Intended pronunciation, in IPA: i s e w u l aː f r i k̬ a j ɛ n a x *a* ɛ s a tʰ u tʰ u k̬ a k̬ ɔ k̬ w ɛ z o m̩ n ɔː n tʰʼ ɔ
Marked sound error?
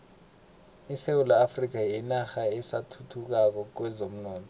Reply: no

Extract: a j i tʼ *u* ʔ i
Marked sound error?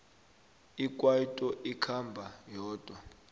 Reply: yes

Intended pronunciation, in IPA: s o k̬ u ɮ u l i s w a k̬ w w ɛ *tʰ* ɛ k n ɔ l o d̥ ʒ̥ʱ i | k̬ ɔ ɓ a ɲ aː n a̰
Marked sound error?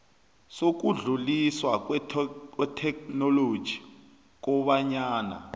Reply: no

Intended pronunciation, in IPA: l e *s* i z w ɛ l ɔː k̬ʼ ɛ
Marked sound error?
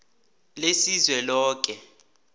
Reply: no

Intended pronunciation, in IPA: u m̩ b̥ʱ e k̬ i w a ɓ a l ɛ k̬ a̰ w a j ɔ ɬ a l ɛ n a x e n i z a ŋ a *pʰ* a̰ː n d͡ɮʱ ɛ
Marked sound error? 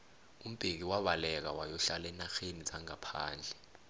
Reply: no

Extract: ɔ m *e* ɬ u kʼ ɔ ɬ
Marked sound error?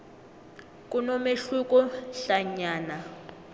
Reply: no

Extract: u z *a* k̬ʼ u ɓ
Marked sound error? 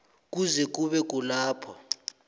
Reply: yes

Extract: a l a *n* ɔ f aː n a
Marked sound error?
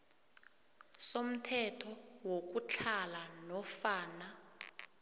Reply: no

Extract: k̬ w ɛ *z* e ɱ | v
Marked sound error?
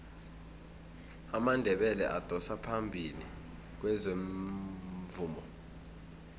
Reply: no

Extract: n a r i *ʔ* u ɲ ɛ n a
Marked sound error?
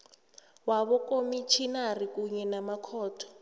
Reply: yes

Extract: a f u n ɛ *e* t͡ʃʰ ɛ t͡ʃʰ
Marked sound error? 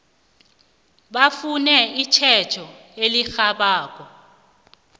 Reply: yes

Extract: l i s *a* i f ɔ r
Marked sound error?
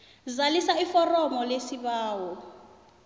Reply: no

